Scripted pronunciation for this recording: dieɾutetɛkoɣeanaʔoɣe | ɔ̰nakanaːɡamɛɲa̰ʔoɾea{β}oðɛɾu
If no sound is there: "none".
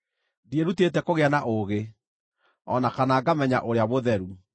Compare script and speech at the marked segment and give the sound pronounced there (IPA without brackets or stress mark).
β